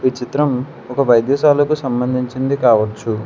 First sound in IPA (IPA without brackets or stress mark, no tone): ʋ